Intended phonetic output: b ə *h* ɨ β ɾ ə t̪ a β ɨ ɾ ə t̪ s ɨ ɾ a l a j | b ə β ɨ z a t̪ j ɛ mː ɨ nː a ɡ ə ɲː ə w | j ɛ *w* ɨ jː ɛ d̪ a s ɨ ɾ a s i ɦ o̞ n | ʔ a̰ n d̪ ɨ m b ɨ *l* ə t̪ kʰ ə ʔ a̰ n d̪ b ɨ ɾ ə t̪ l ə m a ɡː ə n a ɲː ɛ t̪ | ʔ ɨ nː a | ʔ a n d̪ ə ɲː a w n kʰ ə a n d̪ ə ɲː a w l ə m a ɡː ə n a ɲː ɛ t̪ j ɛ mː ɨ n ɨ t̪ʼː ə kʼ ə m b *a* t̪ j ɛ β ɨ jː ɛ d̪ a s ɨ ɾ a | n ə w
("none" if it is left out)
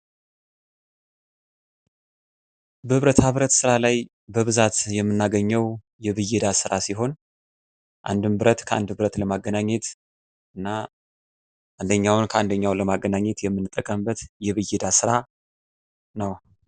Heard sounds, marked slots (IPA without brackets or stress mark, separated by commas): h, β, ɾ, ə